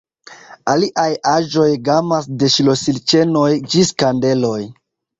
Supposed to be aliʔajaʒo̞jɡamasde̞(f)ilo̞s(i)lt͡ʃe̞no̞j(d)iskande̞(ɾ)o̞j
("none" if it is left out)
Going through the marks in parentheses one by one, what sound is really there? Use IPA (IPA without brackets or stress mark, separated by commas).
ʃ, i, d͡ʒ, l